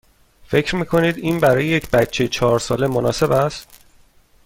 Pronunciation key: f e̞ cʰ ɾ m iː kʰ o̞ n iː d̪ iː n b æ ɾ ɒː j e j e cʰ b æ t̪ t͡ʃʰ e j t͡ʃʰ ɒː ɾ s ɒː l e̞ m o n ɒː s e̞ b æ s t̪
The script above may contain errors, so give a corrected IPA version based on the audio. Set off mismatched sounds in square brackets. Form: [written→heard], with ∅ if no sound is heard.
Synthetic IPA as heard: f e̞ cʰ ɾ m iː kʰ o̞ n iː d̪ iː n b æ ɾ ɒː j e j e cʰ b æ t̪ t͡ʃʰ e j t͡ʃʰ ɒː ɾ s ɒː l e̞ m o n ɒː s e̞ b æ s t̪